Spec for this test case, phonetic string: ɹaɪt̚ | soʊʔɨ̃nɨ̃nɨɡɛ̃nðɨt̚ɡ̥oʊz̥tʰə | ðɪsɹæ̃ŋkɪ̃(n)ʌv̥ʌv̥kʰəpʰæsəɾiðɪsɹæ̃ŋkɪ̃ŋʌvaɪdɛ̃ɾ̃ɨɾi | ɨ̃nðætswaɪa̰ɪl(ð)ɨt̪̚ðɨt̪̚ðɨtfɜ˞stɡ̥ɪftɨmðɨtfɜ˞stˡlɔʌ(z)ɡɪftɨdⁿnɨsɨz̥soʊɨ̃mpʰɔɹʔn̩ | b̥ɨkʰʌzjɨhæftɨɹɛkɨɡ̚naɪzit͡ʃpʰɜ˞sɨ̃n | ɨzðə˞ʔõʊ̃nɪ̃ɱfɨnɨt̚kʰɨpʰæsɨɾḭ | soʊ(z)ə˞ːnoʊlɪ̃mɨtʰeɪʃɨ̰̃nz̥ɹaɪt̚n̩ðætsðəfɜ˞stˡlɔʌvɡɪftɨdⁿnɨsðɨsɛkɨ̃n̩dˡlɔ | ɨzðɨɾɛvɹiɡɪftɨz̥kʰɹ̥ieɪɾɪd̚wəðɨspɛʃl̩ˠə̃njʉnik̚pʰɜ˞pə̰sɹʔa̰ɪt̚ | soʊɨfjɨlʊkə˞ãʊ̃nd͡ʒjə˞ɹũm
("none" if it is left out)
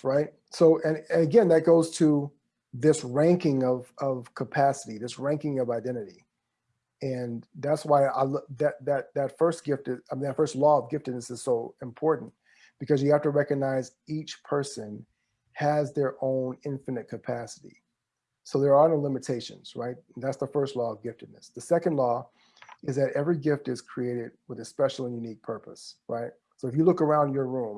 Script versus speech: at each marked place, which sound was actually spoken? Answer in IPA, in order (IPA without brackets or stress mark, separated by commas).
ŋ, ð, v, ð